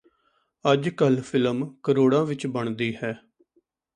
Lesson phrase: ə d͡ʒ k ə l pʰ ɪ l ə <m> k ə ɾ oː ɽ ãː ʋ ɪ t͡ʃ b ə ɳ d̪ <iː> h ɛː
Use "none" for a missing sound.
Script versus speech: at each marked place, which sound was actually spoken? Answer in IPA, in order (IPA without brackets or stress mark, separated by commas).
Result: m, iː